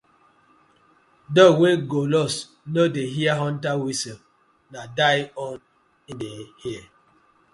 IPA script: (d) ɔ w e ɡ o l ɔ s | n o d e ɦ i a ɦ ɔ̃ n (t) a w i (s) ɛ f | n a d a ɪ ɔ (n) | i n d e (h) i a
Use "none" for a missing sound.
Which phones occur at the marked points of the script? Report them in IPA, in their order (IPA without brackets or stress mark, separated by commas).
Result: d, t, s, n, h